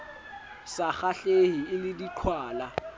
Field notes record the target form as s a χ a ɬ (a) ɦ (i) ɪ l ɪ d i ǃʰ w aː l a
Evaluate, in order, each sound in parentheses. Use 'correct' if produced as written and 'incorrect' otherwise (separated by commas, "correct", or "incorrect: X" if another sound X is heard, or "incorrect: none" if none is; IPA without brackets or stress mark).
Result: incorrect: e, correct